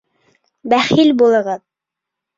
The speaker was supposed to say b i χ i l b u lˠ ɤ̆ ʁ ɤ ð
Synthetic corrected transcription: b æ χ i l b u lˠ ɤ̆ ʁ ɤ ð